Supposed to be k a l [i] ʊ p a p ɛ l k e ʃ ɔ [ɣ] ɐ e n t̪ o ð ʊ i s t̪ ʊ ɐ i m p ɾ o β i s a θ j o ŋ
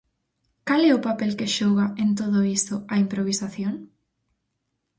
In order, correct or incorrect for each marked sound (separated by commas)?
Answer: incorrect, correct